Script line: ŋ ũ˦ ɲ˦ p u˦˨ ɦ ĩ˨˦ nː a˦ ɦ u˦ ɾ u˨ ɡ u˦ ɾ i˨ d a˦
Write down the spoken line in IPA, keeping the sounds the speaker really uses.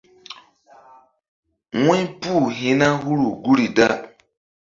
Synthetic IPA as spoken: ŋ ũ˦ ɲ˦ p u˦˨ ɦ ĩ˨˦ n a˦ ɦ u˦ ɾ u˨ ɡ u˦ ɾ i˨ d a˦